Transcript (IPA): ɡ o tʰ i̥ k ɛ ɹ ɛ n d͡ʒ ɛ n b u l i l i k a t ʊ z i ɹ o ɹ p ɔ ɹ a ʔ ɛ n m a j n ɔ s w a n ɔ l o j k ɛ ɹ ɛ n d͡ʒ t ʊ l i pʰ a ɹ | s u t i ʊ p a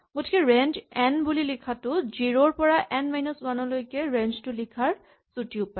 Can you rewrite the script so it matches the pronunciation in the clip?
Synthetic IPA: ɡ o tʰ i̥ k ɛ ɹ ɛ n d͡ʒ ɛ n b u l i l i kʰ a t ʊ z i ɹ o ɹ p ɔ ɹ a ʔ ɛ n m a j n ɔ s w a n ɔ l o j k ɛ ɹ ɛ n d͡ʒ t ʊ l i kʰ a ɹ | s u t i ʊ p a